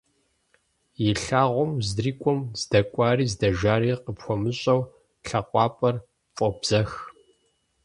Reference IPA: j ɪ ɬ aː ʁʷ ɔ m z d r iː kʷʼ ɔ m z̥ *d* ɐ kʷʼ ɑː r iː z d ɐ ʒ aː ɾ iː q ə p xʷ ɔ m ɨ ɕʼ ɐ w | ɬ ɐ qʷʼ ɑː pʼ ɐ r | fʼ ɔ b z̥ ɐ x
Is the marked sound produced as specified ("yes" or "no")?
yes